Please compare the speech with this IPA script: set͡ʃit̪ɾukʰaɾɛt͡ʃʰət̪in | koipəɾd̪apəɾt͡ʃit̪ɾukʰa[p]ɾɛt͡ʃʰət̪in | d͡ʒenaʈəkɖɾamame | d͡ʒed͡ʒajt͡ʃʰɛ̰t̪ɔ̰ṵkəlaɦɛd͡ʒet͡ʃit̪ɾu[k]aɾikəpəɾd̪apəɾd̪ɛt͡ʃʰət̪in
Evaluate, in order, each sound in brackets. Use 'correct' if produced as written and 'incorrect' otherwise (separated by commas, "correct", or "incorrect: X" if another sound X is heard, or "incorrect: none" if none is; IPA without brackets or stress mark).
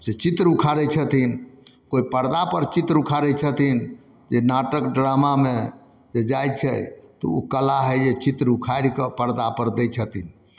incorrect: none, incorrect: kʰ